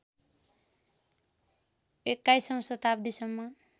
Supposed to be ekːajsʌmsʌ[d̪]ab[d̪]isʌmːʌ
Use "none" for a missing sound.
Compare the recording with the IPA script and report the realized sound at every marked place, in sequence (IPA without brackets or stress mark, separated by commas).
t̪, d̪